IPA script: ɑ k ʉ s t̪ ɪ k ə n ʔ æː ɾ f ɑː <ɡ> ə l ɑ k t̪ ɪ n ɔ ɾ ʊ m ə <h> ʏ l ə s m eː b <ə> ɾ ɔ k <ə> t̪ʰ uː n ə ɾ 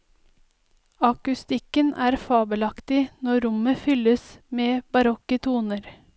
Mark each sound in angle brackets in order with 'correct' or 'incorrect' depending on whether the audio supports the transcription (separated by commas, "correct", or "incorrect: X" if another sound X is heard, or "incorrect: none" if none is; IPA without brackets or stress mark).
incorrect: b, incorrect: f, incorrect: ɑ, correct